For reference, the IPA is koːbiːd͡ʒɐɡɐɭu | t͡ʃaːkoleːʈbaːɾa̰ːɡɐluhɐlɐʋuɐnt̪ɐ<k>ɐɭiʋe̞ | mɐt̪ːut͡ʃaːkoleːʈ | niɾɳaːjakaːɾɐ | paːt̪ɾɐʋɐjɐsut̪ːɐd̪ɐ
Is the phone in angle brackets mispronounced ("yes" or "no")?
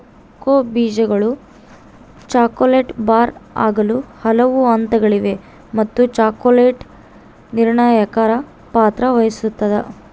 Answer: yes